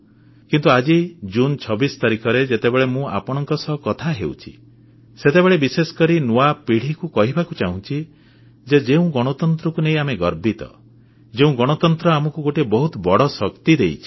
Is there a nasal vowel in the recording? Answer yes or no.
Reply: yes